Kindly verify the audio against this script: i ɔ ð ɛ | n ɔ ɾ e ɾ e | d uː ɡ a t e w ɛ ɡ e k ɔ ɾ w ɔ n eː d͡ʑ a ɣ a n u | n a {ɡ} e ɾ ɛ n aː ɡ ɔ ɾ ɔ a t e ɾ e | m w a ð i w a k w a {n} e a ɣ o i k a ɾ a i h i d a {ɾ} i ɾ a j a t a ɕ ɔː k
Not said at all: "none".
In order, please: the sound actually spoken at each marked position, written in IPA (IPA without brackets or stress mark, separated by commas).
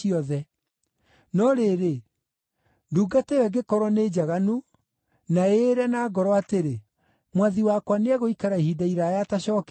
none, n, none